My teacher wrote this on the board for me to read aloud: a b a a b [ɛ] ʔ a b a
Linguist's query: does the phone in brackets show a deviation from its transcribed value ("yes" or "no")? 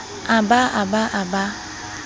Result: yes